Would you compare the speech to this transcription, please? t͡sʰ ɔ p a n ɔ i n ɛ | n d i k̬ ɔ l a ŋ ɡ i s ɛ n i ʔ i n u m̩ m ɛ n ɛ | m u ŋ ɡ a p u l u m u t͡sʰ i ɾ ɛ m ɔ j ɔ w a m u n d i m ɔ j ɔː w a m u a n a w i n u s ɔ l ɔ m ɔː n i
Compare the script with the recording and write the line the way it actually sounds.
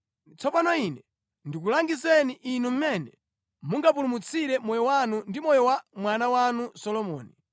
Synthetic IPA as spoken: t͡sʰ ɔ p a n ɔ i n ɛ | n d i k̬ u l a ŋ ɡ i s ɛ n i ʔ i n u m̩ m ɛ n ɛ | m u ŋ ɡ a p u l u m u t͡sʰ i ɾ ɛ m ɔ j ɔ w a n u n d i m ɔ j ɔ w a m w a n a w a n u s ɔ l ɔ m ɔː n i